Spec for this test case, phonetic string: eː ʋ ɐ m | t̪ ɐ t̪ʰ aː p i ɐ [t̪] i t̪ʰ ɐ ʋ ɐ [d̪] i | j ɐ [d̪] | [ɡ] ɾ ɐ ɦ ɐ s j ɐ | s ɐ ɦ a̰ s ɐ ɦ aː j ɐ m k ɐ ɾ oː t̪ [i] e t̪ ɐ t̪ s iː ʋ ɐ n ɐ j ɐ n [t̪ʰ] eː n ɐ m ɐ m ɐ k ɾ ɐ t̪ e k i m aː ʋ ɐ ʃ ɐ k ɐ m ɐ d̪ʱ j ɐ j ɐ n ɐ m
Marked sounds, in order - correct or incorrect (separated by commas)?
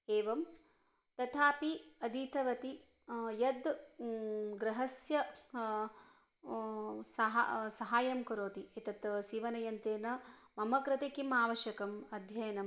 incorrect, incorrect, correct, correct, correct, incorrect